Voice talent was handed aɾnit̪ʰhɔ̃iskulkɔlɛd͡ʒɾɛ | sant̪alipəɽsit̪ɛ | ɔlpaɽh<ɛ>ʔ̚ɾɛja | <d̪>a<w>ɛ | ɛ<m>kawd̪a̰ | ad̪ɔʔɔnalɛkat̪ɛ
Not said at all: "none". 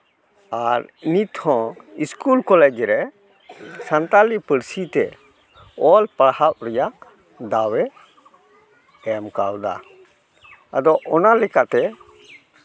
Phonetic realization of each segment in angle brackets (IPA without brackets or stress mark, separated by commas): a, d̪, w, m